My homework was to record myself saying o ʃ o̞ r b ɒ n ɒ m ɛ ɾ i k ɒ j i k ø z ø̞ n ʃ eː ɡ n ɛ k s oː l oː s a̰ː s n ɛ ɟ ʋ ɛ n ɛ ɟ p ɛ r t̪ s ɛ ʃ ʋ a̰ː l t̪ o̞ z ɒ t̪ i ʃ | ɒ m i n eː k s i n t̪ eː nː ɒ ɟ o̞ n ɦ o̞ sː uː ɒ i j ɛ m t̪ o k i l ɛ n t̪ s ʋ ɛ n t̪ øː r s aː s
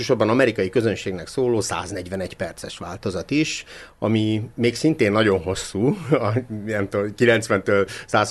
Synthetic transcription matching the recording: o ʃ o̞ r b ɒ n ɒ m ɛ ɾ i k ɒ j i k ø z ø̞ n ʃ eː ɡ n ɛ k s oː l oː s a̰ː z n ɛ ɟ ʋ ɛ n ɛ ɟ p ɛ r t̪ s ɛ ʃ ʋ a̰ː l t̪ o̞ z ɒ t̪ i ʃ | ɒ m i m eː k s i n t̪ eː nː ɒ ɟ o̞ n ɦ o̞ sː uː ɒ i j ɛ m t̪ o k i l ɛ n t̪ s ʋ ɛ n t̪ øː l s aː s